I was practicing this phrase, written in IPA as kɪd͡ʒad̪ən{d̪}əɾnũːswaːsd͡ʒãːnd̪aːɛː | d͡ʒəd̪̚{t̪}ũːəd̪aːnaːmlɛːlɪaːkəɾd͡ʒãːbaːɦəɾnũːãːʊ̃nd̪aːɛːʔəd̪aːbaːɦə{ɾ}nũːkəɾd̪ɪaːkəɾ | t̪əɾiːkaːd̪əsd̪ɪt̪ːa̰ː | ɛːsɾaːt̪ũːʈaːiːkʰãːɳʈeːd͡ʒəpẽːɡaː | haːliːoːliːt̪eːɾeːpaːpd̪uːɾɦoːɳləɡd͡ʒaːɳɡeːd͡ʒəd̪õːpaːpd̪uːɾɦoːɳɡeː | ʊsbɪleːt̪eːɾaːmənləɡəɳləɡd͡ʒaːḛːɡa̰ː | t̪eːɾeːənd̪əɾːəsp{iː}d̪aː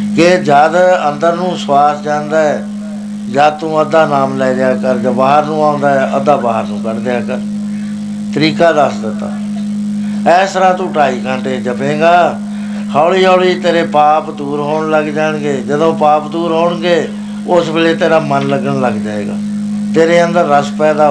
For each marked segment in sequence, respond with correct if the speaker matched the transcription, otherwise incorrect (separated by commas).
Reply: correct, correct, correct, incorrect